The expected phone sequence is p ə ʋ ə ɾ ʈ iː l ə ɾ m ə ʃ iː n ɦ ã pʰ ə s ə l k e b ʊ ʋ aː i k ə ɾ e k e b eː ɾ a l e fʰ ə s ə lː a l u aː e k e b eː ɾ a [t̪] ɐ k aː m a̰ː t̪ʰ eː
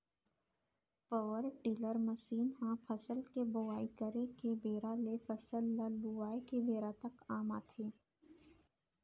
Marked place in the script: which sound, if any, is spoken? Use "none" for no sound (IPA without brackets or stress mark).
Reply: t̪